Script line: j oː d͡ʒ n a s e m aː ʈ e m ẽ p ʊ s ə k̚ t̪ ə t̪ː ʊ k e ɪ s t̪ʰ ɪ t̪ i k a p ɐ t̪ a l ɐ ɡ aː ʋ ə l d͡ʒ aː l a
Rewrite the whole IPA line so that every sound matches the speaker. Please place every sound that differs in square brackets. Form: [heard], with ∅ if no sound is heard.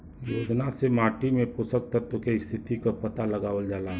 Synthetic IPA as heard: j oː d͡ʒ n a s e m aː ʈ [i] m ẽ p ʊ s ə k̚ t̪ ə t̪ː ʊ k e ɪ s t̪ʰ ɪ t̪ i k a p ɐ t̪ a l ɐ ɡ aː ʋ ə l d͡ʒ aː l a